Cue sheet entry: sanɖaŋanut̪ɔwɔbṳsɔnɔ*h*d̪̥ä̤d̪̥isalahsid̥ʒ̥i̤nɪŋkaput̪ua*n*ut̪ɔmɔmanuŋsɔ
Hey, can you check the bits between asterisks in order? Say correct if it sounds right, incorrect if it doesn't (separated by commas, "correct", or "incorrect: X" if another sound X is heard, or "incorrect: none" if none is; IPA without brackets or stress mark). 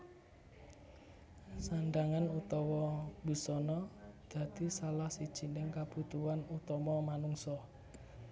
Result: incorrect: none, correct